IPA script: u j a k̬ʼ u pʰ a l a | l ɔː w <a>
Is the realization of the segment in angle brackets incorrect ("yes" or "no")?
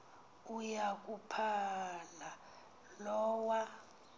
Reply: no